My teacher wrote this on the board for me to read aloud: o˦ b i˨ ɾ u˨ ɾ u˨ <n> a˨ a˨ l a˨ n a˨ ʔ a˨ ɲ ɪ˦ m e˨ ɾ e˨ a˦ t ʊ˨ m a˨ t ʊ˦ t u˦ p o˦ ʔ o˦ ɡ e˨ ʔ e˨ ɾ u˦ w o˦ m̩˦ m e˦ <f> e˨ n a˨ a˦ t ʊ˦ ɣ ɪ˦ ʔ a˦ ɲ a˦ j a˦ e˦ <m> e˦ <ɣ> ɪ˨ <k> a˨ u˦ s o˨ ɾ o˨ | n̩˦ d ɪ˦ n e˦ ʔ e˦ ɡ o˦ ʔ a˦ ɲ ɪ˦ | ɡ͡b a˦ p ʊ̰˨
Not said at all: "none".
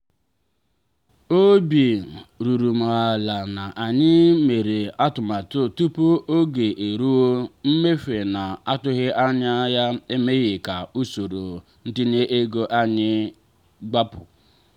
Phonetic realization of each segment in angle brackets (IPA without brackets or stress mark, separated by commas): m, f, m, ɣ, k